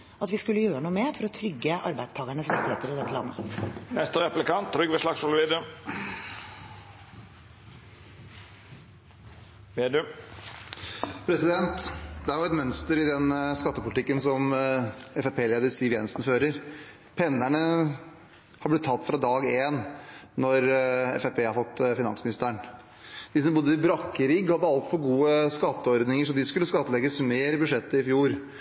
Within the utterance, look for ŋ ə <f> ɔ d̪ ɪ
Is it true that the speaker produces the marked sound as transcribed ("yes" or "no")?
no